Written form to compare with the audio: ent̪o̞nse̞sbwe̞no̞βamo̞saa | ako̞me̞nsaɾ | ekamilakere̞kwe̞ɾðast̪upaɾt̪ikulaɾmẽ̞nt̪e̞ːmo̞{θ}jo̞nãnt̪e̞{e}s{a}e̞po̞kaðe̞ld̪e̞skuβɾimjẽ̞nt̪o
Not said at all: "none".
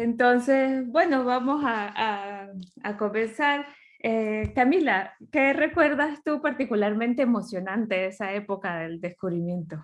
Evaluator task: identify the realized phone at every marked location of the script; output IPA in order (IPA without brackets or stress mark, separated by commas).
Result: s, e, a